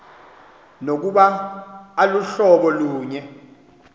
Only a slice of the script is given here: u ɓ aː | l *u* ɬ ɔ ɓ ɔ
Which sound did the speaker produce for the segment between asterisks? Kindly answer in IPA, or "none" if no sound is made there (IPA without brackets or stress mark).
u